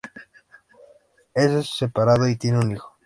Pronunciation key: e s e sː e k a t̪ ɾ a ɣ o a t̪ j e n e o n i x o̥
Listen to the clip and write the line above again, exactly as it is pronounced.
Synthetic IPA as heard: e s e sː e p a ɾ a ð o i t̪ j e n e u n i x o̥